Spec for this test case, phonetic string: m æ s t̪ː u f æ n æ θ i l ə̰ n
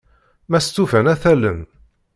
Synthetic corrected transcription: m æ s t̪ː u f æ n æ θ æ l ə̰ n